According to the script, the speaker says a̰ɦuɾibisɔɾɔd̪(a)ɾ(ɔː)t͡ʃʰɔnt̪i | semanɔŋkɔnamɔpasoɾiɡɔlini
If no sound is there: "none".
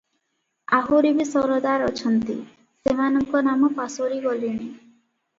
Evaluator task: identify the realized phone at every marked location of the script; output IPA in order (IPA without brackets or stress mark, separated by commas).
a, ɔ